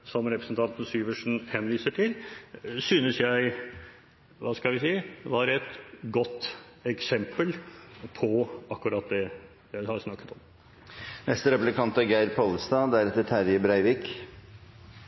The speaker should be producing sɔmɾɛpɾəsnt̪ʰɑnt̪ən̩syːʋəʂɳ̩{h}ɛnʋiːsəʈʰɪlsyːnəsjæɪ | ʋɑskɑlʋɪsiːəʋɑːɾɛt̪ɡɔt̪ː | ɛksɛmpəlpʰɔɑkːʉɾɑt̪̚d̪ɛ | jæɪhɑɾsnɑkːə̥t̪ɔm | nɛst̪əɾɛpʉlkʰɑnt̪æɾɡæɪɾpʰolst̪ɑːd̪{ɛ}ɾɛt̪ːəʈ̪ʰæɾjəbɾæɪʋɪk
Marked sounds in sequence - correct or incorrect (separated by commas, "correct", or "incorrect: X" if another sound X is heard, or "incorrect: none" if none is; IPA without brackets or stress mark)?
correct, incorrect: æ